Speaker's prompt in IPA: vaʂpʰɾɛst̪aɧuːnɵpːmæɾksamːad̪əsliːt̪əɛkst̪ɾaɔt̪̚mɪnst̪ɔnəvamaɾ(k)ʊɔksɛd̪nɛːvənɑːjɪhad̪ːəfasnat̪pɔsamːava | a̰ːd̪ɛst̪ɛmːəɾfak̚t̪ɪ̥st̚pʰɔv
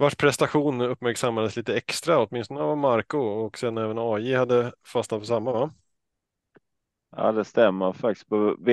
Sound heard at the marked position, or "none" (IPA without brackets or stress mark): k